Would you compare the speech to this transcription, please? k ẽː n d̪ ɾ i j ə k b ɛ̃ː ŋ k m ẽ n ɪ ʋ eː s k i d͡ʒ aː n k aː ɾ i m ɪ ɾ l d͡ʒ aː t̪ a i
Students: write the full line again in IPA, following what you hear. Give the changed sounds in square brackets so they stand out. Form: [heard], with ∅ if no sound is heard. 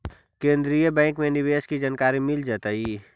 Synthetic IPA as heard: k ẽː n d̪ ɾ i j ə [∅] b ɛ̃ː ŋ k m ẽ n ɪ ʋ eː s k i d͡ʒ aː n k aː ɾ i m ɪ [∅] l d͡ʒ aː t̪ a i